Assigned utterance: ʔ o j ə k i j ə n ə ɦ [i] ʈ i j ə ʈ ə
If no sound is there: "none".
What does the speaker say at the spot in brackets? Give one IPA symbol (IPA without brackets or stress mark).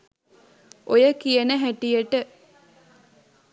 æ